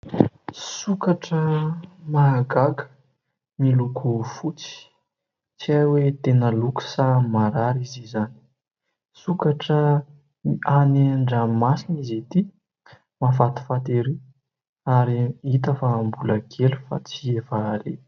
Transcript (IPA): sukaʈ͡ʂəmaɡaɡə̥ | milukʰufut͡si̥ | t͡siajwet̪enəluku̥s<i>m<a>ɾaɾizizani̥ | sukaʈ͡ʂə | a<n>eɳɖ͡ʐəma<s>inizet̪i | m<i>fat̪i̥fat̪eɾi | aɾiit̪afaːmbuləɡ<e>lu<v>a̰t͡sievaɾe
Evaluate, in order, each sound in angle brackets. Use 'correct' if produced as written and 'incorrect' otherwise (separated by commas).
incorrect, correct, correct, correct, incorrect, correct, incorrect